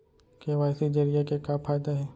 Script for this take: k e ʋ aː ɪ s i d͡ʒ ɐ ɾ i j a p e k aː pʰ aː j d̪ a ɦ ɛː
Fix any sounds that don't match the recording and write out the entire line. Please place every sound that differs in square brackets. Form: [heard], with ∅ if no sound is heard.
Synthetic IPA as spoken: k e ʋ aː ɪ s i d͡ʒ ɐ ɾ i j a [k] e k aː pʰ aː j d̪ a ɦ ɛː